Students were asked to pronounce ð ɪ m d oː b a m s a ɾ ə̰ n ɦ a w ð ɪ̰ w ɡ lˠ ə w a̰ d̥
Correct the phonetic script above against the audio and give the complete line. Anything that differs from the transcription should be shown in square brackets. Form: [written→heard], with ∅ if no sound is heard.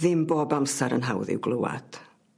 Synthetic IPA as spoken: ð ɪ m [d→b] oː b a m s a ɾ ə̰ n ɦ a w ð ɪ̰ w ɡ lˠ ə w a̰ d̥